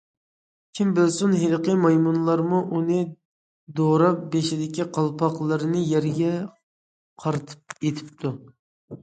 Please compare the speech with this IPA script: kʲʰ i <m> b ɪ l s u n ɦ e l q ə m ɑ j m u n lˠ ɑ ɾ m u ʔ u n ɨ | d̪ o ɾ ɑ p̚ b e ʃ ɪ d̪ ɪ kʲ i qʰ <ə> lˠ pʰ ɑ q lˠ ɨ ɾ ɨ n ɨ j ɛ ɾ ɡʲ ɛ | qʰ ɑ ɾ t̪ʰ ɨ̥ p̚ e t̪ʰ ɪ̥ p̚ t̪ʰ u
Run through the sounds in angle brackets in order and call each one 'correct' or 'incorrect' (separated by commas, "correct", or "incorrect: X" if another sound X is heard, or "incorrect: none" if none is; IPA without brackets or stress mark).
correct, incorrect: ɑ